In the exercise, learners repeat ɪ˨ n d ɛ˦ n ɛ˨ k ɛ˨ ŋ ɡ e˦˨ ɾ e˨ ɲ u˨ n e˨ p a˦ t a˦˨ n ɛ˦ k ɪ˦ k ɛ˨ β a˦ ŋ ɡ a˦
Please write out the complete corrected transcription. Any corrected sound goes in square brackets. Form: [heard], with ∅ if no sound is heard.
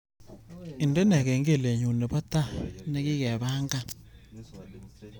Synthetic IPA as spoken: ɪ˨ n d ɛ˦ n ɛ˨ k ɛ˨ ŋ ɡ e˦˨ [l] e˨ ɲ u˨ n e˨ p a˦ t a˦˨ n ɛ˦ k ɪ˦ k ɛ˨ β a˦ ŋ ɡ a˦